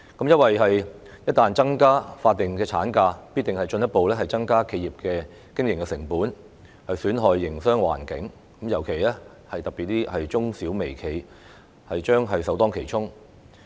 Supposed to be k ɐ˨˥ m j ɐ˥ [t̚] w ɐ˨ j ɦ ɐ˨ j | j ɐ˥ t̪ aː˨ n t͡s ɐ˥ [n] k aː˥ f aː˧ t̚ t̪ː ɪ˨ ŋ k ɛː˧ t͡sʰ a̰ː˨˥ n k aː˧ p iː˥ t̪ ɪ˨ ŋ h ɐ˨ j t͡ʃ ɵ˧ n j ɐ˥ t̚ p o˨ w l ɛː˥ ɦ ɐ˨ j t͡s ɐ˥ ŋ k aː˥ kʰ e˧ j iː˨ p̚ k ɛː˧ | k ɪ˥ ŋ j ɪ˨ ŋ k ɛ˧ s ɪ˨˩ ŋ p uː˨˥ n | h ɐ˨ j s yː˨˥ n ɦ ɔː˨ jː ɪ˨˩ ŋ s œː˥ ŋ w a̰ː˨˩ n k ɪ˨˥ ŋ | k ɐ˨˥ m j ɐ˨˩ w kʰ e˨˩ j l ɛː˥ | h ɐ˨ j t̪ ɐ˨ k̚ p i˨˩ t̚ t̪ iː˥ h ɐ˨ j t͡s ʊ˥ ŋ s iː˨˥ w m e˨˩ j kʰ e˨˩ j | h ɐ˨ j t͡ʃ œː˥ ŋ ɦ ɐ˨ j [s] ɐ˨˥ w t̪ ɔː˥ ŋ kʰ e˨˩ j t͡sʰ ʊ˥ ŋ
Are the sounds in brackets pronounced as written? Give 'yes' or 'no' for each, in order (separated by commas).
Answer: yes, no, yes